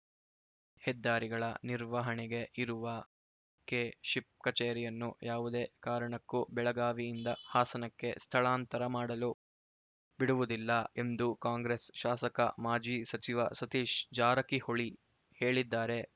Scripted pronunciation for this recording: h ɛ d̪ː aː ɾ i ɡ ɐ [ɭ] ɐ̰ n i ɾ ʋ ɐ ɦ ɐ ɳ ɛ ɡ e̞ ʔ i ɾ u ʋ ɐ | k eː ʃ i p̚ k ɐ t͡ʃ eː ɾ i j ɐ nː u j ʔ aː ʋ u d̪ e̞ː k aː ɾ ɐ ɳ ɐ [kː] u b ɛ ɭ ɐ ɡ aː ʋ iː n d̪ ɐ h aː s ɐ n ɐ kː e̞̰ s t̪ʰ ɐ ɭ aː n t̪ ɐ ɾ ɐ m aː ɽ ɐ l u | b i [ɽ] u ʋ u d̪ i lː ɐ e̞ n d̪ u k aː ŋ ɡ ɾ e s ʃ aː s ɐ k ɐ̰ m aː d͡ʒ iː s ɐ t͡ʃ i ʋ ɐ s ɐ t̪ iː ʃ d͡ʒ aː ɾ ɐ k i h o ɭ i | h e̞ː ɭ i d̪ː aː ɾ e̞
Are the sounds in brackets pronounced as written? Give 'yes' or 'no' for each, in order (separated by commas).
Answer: yes, yes, yes